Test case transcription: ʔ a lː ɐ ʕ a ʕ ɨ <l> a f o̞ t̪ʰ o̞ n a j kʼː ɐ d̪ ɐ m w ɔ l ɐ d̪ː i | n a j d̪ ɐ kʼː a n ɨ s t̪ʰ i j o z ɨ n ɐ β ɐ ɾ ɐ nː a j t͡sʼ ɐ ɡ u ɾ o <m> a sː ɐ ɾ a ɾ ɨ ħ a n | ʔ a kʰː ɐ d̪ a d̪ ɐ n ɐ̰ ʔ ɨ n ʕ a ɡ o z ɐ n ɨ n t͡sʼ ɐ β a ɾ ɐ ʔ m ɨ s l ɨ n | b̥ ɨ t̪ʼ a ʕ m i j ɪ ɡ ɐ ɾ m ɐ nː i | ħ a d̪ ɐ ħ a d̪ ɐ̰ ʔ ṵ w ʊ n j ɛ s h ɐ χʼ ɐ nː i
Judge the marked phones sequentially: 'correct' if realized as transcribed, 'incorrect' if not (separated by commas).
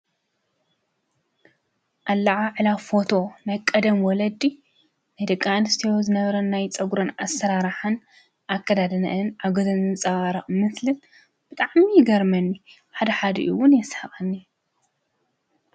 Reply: correct, incorrect